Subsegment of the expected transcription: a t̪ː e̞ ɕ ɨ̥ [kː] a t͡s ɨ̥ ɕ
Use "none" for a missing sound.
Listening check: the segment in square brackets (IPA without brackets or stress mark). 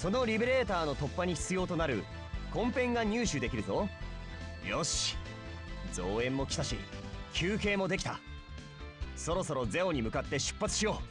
pː